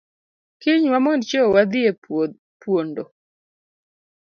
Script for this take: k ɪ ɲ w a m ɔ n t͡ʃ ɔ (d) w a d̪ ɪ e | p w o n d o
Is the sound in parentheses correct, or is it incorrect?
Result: incorrect